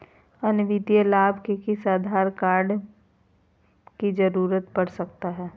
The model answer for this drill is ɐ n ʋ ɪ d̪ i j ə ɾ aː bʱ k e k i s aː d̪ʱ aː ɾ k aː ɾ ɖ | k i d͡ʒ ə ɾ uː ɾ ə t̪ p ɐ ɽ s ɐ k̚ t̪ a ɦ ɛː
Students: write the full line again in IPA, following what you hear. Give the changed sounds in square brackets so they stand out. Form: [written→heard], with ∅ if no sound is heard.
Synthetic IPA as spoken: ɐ n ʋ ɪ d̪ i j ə [ɾ→l] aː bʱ k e k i s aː d̪ʱ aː ɾ k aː ɾ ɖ | k i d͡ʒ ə ɾ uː ɾ ə t̪ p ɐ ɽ s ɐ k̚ t̪ a ɦ ɛː